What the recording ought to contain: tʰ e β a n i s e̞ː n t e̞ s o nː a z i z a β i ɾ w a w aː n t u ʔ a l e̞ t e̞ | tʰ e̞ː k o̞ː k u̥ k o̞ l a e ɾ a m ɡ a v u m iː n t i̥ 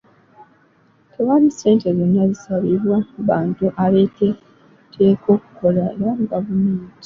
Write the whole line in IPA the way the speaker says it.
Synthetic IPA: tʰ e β a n i s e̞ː n t e̞ z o nː a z i s a β i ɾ w a β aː n t u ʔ a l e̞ t e̞ | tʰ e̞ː k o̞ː k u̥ k o̞ l a e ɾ a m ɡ a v u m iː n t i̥